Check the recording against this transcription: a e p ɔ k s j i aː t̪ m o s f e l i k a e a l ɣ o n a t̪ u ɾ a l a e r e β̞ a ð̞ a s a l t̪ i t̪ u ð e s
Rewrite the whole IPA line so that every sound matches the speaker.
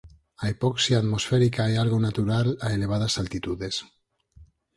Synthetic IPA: a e p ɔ k s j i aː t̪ m o s f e ɾ i k a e a l ɣ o n a t̪ u ɾ a l a e l e β̞ a ð̞ a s a l t̪ i t̪ u ð e s